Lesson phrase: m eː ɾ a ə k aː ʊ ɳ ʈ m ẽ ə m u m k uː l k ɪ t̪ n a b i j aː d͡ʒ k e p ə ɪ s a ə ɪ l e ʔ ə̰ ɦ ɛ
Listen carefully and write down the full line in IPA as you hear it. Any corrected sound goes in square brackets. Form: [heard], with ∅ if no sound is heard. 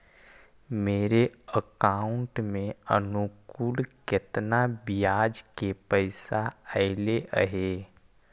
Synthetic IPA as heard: m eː ɾ [e] ə k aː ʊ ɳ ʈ m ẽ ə [n] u [∅] k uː l k ɪ t̪ n a b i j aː d͡ʒ k e p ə ɪ s a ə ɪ l e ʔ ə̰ ɦ [e]